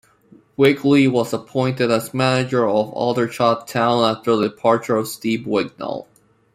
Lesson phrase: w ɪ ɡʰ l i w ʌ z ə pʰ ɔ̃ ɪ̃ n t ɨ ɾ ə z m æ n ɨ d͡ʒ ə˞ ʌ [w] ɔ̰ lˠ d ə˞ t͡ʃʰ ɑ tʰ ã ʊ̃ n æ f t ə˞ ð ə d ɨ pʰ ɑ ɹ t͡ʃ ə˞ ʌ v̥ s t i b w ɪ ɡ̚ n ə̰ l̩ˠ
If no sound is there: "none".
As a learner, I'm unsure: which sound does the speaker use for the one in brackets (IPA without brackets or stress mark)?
v